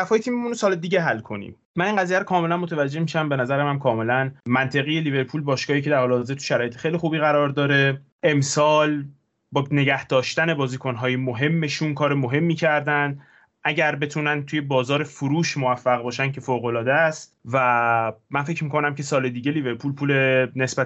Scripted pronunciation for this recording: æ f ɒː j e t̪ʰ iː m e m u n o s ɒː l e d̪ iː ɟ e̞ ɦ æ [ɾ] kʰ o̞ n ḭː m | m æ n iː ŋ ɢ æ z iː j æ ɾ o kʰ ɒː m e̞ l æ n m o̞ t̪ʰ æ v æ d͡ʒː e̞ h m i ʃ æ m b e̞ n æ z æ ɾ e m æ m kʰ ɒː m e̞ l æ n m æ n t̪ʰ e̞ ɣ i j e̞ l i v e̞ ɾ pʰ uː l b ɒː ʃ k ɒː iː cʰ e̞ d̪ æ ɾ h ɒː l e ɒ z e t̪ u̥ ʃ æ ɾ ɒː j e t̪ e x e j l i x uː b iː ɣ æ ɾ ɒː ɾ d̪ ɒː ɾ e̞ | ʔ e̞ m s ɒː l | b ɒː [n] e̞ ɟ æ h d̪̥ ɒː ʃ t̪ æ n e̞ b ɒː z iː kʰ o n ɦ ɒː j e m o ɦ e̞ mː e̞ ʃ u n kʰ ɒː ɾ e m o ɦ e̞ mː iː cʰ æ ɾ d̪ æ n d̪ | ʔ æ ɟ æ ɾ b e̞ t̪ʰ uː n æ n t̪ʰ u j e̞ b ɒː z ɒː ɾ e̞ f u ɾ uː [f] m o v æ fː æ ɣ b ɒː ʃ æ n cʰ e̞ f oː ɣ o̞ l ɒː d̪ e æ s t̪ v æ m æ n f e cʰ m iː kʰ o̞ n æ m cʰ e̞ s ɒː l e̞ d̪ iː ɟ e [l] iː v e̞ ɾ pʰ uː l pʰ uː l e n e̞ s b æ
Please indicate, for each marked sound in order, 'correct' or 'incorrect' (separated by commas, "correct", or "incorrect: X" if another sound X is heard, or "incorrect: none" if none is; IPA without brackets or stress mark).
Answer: incorrect: l, correct, incorrect: ʃ, correct